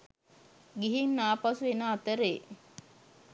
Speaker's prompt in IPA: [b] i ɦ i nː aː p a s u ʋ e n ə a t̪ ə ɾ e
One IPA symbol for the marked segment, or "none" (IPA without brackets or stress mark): ɡ